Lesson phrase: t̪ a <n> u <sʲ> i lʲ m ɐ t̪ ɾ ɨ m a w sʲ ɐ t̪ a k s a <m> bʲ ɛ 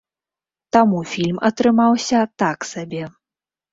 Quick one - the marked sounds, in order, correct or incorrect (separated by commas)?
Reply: incorrect, incorrect, incorrect